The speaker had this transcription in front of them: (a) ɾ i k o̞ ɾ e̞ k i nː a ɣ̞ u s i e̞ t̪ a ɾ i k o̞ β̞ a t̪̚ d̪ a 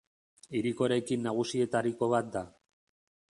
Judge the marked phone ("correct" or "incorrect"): incorrect